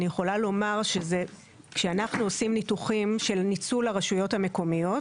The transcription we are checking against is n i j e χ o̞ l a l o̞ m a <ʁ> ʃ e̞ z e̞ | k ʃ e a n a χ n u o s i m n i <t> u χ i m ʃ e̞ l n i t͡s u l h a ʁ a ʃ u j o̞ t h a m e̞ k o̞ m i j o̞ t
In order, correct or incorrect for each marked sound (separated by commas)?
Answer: correct, correct